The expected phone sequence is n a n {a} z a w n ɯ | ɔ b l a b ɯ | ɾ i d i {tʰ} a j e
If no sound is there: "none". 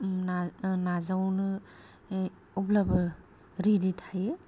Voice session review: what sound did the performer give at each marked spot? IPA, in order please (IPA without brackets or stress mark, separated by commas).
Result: a, tʰ